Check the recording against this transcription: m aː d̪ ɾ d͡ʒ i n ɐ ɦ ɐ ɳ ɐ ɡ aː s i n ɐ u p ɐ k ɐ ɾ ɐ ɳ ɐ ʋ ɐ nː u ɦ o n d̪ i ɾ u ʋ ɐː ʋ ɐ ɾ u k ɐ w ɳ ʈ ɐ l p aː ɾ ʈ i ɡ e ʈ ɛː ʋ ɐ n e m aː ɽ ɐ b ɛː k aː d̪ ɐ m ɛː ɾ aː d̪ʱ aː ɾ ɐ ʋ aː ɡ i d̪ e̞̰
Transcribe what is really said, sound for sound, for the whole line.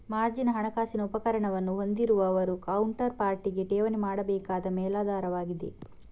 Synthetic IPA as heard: m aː ɾ d͡ʒ i n ɐ ɦ ɐ ɳ ɐ k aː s i n ɐ u p ɐ k ɐ ɾ ɐ ɳ ɐ ʋ ɐ nː u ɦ o n d̪ i ɾ u ʋ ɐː ʋ ɐ ɾ u k ɐ w ɳ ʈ ɐ ɾ p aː ɾ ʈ i ɡ e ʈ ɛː ʋ ɐ n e m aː ɽ ɐ b ɛː k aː d̪ ɐ m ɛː l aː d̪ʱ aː ɾ ɐ ʋ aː ɡ i d̪ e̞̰